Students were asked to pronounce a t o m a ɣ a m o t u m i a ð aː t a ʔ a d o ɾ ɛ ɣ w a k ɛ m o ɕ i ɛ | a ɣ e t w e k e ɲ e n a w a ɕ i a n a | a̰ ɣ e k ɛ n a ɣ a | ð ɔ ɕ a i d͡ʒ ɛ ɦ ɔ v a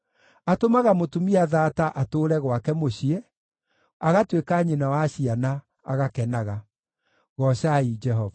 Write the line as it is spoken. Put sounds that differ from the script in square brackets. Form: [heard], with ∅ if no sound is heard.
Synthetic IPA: a t o m a ɣ a m o t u m i a ð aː t a ʔ a [t] o ɾ ɛ ɣ w a k ɛ m o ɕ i ɛ | a ɣ [a] t w e k [a] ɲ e n a w a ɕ i a n a | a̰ ɣ [a] k ɛ n a ɣ a | [ɣ] ɔ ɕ a i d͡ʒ ɛ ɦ ɔ v a